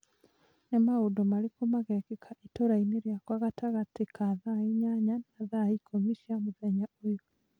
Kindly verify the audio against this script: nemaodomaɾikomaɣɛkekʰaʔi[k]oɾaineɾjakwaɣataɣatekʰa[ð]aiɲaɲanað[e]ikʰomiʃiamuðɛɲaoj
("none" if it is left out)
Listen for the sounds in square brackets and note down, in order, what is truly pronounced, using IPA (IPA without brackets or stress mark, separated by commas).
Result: t, ð, a